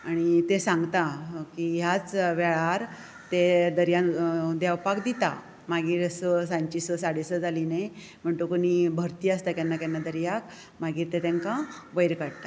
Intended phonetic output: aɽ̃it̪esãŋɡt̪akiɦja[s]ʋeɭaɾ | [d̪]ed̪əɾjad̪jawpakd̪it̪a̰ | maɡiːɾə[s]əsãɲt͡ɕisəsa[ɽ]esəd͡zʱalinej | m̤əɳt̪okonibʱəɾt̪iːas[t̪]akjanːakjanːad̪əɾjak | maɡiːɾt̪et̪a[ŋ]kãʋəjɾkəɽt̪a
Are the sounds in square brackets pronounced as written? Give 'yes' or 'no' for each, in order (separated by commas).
no, no, yes, yes, yes, yes